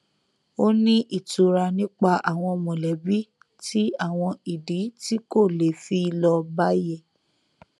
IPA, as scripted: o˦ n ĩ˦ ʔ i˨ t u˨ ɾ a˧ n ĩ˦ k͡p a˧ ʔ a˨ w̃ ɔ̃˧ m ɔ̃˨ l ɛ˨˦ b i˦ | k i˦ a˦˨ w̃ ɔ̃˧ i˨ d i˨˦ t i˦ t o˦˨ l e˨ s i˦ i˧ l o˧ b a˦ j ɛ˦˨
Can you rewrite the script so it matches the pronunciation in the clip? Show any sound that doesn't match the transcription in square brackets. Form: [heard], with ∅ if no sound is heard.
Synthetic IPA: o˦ n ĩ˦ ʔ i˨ t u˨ ɾ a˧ n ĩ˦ k͡p a˧ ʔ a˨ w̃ ɔ̃˧ m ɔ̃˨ l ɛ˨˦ b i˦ | [t] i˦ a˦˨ w̃ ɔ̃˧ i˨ d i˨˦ t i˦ [k] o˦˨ l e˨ [f] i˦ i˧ l [ɔ˧] b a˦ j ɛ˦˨